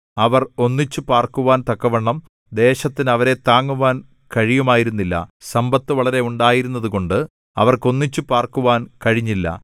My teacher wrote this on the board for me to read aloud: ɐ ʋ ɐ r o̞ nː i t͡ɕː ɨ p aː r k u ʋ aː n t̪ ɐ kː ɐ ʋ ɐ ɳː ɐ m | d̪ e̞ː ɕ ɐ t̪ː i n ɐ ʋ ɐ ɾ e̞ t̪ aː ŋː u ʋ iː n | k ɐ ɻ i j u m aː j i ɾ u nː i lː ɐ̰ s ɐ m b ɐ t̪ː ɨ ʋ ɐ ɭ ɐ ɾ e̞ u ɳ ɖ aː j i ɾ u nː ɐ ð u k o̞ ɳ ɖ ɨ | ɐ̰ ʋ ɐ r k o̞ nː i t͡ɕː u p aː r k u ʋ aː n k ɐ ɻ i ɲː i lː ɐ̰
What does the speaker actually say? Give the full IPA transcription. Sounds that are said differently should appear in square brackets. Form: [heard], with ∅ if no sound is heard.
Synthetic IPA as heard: ɐ ʋ ɐ r o̞ nː i t͡ɕː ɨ p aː r k u ʋ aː n t̪ ɐ kː ɐ ʋ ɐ ɳː ɐ m | d̪ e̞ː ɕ ɐ t̪ː i n ɐ ʋ ɐ ɾ e̞ t̪ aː ŋː u ʋ [aː] n | k ɐ ɻ i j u m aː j i ɾ u nː i lː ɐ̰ s ɐ m b ɐ t̪ː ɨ ʋ ɐ ɭ ɐ ɾ e̞ u ɳ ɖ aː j i ɾ u nː ɐ ð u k o̞ ɳ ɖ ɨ | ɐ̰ ʋ ɐ r k o̞ nː i t͡ɕː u p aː r k u ʋ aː n k ɐ ɻ i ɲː i lː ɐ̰